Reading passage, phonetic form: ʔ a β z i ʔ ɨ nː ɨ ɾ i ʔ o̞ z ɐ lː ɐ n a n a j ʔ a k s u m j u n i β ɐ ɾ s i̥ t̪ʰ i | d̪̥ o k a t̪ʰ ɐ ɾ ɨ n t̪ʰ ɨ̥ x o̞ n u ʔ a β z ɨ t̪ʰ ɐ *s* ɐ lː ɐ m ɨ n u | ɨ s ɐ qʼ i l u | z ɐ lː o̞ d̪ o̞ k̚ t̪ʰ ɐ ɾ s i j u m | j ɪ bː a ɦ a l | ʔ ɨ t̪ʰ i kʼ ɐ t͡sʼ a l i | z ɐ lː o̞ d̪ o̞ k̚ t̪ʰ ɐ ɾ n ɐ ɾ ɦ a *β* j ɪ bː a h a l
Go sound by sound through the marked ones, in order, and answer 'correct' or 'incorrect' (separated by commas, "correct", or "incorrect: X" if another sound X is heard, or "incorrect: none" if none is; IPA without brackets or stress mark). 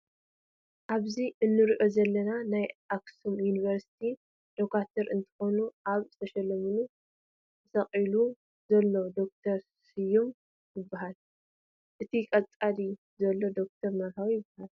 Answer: incorrect: ʃ, incorrect: w